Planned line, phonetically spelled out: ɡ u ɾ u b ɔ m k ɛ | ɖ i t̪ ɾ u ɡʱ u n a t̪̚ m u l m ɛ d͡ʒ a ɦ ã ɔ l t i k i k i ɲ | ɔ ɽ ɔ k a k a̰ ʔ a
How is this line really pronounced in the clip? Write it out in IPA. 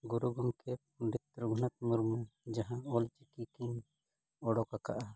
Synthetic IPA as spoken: ɡ u ɾ u ɡ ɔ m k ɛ | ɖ i t̪ ɾ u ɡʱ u n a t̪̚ m u ɾ m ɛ d͡ʒ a ɦ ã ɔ l t͡ʃ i k i k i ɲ | ɔ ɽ ɔ k a k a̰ ʔ a